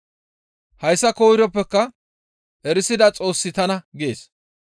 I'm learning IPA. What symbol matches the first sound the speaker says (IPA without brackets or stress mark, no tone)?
h